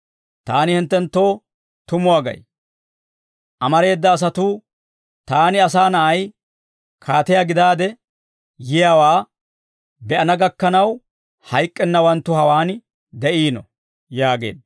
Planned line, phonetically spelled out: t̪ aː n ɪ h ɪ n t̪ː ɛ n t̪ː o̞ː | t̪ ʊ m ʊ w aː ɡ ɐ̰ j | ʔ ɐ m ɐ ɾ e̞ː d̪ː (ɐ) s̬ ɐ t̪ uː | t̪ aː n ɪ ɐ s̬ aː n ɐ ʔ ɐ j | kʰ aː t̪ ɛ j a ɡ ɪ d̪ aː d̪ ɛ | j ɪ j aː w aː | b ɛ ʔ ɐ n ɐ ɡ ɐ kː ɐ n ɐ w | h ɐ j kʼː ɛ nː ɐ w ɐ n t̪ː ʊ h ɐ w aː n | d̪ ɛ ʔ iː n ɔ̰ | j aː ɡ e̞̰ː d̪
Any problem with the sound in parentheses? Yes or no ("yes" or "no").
yes